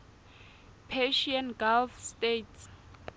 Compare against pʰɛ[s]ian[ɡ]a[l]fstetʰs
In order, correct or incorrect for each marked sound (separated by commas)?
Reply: incorrect, correct, correct